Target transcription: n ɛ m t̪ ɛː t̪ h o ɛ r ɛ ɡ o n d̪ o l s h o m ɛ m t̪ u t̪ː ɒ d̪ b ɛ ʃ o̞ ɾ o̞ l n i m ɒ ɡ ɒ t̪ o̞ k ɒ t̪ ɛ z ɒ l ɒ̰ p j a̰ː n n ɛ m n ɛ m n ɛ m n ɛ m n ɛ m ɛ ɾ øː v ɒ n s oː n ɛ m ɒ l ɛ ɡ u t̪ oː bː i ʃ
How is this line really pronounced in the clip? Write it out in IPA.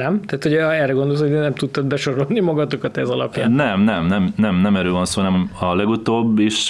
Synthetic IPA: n ɛ m t̪ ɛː t̪ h o ɛ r ɛ ɡ o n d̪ o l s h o n ɛ m t̪ u t̪ː ɒ d̪ b ɛ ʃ o̞ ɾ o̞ l n i m ɒ ɡ ɒ t̪ o̞ k ɒ t̪ ɛ z ɒ l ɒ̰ p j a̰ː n n ɛ m n ɛ m n ɛ m n ɛ m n ɛ m ɛ ɾ øː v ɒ n s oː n ɛ m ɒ l ɛ ɡ u t̪ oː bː i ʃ